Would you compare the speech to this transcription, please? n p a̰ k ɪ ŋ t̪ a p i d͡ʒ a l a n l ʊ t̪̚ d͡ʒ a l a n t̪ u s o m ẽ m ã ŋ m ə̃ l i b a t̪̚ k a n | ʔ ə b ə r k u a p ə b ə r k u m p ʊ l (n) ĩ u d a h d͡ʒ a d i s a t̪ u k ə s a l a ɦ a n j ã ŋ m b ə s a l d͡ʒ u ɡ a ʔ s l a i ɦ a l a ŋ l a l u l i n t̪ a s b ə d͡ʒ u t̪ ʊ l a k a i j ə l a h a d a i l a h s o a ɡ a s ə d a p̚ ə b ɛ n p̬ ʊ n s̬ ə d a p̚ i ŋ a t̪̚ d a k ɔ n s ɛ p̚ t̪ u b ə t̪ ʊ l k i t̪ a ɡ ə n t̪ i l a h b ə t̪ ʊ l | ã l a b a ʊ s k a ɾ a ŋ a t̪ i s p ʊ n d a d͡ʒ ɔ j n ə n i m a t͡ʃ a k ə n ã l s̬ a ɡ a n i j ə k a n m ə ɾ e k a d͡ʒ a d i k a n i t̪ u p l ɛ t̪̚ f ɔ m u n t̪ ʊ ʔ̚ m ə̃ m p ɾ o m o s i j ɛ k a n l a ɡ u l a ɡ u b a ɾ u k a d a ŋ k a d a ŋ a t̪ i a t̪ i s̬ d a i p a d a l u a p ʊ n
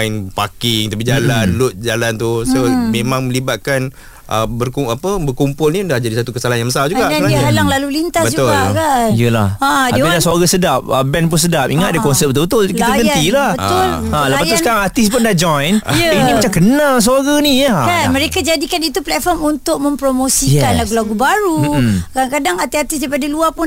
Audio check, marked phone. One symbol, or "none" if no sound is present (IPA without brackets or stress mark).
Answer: n